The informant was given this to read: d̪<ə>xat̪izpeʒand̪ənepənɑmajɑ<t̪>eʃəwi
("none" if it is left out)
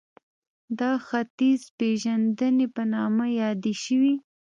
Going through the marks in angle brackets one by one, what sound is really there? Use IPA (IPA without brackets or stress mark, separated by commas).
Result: ɑ, d̪